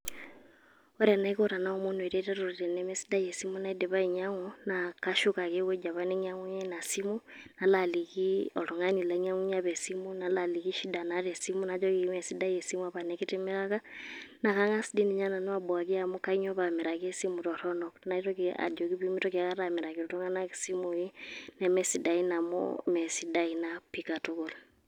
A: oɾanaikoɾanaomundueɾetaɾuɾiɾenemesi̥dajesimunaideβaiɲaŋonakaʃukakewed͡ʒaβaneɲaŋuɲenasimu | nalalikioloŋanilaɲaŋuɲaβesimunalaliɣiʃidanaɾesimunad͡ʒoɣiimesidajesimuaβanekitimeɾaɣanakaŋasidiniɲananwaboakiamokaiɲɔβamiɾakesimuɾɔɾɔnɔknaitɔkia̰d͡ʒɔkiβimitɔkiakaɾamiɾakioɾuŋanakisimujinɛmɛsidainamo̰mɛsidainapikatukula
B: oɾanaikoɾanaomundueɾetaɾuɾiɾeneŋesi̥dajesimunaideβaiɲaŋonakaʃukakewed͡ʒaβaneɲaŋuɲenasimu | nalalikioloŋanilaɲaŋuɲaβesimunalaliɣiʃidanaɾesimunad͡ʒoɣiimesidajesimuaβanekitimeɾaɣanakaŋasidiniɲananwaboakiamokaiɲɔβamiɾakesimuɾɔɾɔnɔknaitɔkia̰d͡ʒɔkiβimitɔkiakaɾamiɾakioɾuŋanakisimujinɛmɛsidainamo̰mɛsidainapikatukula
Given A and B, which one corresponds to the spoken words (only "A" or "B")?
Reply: A